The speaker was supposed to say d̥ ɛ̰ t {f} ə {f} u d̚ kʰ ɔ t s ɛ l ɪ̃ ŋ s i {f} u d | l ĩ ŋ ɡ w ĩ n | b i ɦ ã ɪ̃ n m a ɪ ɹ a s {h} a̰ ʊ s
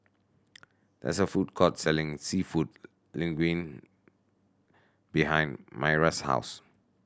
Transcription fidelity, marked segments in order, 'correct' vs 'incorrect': incorrect: s, correct, correct, correct

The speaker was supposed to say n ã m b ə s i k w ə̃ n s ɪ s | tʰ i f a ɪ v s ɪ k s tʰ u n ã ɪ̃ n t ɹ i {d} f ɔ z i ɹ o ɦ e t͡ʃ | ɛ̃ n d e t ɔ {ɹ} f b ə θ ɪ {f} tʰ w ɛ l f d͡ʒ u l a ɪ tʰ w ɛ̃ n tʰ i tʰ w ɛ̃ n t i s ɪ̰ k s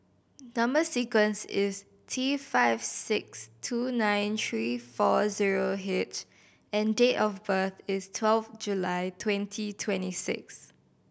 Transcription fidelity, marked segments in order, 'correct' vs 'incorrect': incorrect: none, incorrect: none, incorrect: s

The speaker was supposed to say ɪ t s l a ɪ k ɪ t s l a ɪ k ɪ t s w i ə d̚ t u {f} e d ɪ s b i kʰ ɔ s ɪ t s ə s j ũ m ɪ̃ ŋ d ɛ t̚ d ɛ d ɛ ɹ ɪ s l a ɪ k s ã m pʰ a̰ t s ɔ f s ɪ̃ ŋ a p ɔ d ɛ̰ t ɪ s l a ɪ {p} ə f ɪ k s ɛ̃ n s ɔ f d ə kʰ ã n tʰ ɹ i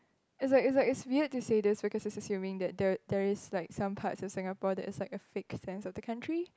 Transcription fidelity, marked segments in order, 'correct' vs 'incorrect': incorrect: s, incorrect: k

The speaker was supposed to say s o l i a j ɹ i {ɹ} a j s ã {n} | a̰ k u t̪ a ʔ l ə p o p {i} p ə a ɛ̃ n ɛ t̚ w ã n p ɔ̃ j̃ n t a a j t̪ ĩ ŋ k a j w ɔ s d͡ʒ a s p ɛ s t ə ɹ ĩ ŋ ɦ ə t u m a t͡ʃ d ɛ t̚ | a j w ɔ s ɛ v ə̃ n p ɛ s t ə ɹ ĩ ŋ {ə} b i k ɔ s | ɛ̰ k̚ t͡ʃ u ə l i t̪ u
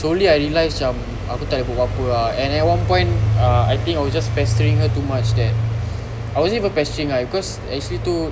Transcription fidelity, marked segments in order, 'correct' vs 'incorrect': incorrect: l, incorrect: m, incorrect: a, incorrect: a

